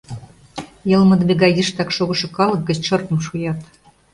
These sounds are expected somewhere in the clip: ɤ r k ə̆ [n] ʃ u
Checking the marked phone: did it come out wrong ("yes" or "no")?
yes